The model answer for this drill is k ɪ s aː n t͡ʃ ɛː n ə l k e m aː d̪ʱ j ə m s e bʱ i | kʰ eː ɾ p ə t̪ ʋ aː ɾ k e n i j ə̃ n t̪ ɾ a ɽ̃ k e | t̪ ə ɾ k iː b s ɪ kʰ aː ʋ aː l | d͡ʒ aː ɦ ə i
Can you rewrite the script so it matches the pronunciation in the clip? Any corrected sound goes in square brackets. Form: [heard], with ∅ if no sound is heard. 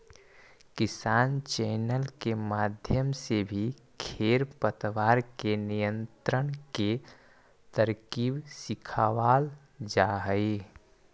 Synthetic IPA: k ɪ s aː n t͡ʃ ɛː n ə l k e m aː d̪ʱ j ə m s e bʱ i | kʰ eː ɾ p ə t̪ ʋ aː ɾ k e n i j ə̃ n t̪ ɾ [ə] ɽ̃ k e | t̪ ə ɾ k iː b s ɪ kʰ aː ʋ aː l | d͡ʒ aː ɦ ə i